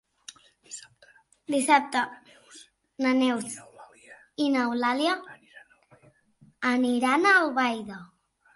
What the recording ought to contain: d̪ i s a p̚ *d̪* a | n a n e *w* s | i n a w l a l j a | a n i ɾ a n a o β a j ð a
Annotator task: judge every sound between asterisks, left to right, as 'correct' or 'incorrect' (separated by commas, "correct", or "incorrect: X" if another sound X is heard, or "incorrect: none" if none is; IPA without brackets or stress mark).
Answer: incorrect: t̪, correct